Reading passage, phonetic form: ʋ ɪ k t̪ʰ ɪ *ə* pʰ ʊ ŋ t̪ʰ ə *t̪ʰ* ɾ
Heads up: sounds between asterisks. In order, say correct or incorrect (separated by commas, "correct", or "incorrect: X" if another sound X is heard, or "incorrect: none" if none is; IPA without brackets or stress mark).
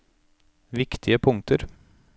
correct, incorrect: none